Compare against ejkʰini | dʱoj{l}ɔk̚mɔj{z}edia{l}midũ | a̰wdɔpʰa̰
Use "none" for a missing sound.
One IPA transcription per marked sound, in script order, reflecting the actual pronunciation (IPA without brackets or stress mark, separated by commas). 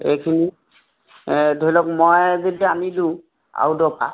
l, z, none